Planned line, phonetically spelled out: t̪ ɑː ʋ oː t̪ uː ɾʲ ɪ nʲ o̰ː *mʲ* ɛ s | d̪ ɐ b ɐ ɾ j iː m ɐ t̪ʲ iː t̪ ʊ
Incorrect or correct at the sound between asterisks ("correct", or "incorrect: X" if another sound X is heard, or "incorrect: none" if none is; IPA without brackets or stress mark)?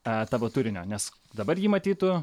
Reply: incorrect: nʲ